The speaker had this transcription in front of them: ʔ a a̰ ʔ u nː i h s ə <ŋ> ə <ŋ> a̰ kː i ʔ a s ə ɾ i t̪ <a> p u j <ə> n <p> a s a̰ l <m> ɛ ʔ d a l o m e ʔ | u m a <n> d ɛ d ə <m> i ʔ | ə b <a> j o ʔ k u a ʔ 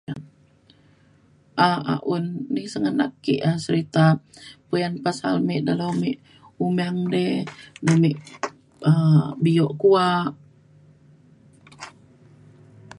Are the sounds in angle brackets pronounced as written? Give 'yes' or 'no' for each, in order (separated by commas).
yes, no, yes, no, yes, yes, no, yes, no